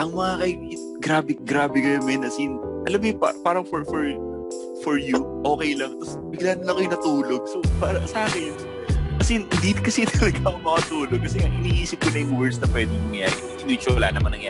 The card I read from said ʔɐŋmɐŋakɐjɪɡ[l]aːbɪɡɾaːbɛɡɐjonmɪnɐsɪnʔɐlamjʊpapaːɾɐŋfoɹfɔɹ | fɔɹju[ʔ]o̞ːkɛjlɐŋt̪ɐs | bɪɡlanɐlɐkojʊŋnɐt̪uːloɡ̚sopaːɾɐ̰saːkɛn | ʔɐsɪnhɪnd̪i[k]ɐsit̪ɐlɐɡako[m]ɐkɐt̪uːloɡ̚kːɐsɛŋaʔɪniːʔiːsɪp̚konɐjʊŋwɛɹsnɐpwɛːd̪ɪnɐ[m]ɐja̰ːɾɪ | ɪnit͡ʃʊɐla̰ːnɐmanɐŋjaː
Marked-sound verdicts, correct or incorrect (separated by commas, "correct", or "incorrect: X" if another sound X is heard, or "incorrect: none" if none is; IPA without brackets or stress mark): incorrect: ɾ, correct, correct, correct, incorrect: ŋ